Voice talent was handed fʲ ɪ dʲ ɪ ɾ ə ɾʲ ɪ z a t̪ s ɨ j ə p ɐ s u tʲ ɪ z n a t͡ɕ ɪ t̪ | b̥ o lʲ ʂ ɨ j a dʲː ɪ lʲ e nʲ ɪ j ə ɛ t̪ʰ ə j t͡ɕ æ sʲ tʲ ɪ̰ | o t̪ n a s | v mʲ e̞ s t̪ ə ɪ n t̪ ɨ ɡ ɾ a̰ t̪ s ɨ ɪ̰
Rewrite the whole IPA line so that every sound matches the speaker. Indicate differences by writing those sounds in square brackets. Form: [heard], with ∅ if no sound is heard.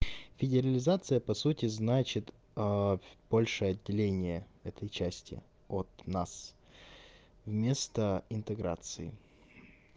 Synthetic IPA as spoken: fʲ ɪ dʲ ɪ ɾ ə [lʲ] ɪ z a t̪ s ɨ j ə p ɐ s u tʲ ɪ z n a t͡ɕ ɪ t̪ | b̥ o lʲ ʂ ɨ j [ɐ] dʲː ɪ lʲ e nʲ ɪ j ə ɛ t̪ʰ ə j t͡ɕ æ sʲ tʲ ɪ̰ | o t̪ n a s | v mʲ e̞ s t̪ ə ɪ n t̪ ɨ ɡ ɾ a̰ t̪ s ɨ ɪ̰